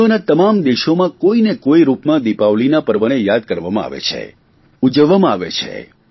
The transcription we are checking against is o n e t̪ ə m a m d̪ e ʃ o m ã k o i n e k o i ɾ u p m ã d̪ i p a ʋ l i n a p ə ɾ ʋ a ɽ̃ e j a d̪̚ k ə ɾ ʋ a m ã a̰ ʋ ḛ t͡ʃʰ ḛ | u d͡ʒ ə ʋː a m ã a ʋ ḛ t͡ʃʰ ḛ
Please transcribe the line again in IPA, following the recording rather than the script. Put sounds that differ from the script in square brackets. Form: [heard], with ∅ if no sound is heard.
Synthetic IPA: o n [a] t̪ ə m a m d̪ e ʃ o m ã k o i n e k o i ɾ u p m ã d̪ i p a ʋ l i n a p ə ɾ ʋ [ə] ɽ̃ e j a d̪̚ k ə ɾ ʋ a m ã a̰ ʋ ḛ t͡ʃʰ ḛ | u d͡ʒ ə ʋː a m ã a ʋ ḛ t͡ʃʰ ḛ